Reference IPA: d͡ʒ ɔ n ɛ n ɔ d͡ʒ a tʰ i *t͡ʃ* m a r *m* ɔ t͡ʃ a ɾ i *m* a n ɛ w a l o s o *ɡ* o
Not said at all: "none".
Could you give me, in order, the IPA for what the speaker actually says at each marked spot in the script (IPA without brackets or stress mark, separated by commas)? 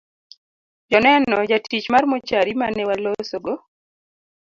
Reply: t͡ʃ, m, m, ɡ